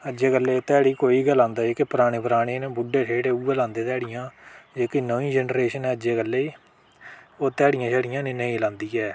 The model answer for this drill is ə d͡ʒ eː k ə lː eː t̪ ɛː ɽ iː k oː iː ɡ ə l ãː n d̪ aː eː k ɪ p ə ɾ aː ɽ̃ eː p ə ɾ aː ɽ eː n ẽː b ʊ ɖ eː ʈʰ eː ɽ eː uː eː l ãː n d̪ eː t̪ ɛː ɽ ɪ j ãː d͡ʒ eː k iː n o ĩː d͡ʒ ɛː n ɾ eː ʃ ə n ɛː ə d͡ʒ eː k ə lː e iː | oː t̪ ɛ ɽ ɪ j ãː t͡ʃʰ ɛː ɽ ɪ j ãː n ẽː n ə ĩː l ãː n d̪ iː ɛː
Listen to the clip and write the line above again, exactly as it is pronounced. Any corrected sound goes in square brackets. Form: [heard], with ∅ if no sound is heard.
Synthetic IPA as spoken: ə d͡ʒ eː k ə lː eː t̪ ɛː ɽ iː k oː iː ɡ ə l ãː n d̪ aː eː k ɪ p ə ɾ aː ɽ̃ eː p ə ɾ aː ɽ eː n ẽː b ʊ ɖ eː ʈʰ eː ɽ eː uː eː l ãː n d̪ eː t̪ ɛː ɽ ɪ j ãː d͡ʒ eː k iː n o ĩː d͡ʒ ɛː n ɾ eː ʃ ə n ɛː ə d͡ʒ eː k ə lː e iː | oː t̪ [ɛː] ɽ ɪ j ãː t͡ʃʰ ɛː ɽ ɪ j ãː n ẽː n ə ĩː l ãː n d̪ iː ɛː

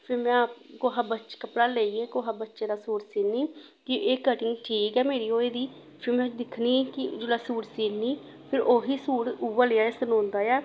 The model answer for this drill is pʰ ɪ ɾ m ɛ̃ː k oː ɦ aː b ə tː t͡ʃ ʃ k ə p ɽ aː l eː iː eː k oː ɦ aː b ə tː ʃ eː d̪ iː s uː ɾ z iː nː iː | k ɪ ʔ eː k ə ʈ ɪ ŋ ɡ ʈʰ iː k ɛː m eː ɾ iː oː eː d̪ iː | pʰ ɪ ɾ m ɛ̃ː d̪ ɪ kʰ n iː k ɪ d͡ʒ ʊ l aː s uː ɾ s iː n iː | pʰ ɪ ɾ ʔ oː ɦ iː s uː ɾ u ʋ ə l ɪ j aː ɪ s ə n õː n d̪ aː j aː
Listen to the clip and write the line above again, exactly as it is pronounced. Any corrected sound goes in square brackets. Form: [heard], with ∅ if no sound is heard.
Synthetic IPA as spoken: pʰ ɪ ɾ m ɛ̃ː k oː ɦ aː b ə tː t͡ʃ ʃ k ə p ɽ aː l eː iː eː k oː ɦ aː b ə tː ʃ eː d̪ [aː] s uː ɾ [s] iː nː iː | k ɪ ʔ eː k ə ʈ ɪ ŋ ɡ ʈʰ iː k ɛː m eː ɾ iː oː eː d̪ iː | pʰ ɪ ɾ m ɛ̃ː d̪ ɪ kʰ n iː k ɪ d͡ʒ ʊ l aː s uː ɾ s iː n iː | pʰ ɪ ɾ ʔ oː ɦ iː s uː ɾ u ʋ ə l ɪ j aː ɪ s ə n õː n d̪ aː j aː

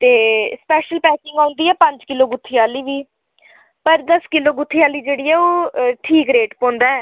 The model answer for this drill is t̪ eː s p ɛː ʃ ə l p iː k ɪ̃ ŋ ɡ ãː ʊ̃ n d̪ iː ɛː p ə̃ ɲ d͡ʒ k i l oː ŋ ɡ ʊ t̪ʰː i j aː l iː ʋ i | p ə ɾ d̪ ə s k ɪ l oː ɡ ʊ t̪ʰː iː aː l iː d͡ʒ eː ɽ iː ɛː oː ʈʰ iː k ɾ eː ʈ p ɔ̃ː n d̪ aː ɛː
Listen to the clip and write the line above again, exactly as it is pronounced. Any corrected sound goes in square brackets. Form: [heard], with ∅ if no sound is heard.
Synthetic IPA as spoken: t̪ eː s p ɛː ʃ ə l p [ɛː] k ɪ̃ ŋ ɡ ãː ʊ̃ n d̪ iː ɛː p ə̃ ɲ d͡ʒ k [ɪ] l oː [∅] ɡ ʊ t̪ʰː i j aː l iː ʋ [iː] | p ə ɾ d̪ ə s k ɪ l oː ɡ ʊ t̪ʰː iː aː l iː d͡ʒ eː ɽ iː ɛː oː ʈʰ iː k ɾ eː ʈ p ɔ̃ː n d̪ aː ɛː

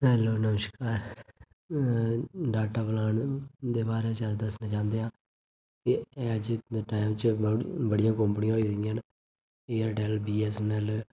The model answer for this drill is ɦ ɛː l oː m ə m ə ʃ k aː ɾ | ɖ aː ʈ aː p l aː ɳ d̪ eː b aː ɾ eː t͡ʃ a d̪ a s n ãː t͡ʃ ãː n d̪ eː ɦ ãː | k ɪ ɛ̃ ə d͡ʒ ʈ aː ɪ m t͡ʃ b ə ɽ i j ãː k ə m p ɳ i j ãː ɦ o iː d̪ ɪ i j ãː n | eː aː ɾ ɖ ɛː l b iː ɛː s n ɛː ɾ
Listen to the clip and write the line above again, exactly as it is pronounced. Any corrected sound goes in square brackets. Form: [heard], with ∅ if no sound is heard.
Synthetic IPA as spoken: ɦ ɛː l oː [n] ə m ə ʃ k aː ɾ | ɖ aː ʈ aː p l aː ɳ d̪ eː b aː ɾ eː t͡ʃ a d̪ [ə] s n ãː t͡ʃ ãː n d̪ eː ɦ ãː | k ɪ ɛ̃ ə d͡ʒ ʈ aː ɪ m t͡ʃ b ə ɽ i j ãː k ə m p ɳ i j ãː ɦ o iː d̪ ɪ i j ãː n | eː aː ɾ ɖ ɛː l b iː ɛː s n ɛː [l]

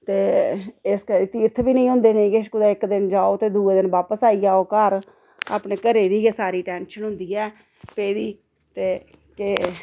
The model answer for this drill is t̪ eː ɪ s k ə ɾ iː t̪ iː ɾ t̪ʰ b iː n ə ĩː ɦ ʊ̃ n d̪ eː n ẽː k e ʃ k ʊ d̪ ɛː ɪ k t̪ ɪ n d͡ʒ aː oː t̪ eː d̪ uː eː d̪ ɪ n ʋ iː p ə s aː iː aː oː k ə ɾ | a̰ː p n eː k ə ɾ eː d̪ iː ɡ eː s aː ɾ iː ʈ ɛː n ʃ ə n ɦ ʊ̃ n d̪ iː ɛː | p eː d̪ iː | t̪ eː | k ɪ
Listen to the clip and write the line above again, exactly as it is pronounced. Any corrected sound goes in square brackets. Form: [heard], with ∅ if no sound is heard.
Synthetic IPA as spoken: t̪ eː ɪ s k ə ɾ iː t̪ iː ɾ t̪ʰ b iː n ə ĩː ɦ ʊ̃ n d̪ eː n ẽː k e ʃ k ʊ d̪ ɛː ɪ k [d̪] ɪ n d͡ʒ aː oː t̪ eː d̪ uː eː d̪ ɪ n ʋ [aː] p ə s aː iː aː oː k ə ɾ | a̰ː p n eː k ə ɾ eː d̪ iː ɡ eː s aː ɾ iː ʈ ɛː n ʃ ə n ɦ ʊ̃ n d̪ iː ɛː | p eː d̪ iː | t̪ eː | k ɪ

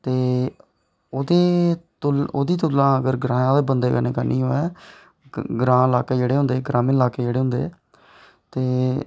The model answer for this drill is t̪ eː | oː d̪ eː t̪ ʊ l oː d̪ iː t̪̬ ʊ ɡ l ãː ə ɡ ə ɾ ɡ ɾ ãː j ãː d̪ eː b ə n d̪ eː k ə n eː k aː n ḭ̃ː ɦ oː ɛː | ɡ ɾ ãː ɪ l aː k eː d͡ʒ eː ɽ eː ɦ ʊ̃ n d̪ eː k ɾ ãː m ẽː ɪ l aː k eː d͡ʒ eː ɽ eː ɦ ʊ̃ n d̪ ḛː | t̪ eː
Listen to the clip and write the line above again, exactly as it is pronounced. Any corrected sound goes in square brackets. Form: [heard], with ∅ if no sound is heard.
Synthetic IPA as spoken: t̪ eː | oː d̪ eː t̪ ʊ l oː d̪ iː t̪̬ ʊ [∅] l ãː ə ɡ ə ɾ ɡ ɾ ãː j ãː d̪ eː b ə n d̪ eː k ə n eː k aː n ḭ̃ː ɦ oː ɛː | ɡ ɾ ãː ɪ l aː k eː d͡ʒ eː ɽ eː ɦ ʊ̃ n d̪ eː [ɡ] ɾ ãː m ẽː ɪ l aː k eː d͡ʒ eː ɽ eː ɦ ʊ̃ n d̪ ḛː | t̪ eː

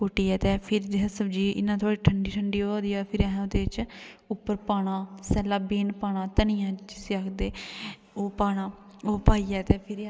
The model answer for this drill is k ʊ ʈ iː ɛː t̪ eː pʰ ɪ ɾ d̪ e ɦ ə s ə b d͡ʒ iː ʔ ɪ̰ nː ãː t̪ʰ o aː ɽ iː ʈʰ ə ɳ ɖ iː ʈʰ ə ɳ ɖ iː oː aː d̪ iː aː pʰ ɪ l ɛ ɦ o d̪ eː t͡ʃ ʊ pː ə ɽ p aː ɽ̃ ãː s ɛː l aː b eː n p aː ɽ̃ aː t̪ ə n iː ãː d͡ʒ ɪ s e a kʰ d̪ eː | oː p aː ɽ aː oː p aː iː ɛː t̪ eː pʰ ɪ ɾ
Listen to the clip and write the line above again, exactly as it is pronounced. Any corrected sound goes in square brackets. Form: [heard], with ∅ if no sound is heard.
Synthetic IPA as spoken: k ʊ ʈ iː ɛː t̪ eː pʰ ɪ ɾ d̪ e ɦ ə s ə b d͡ʒ iː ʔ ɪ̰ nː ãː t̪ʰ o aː ɽ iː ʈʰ ə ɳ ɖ iː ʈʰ ə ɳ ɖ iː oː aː d̪ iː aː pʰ ɪ [ɾ] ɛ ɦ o d̪ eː t͡ʃ ʊ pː ə [ɾ] p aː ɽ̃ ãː s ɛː l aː b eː n p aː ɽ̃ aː t̪ ə n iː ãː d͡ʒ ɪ s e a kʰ d̪ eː | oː p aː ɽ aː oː p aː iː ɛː t̪ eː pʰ ɪ ɾ

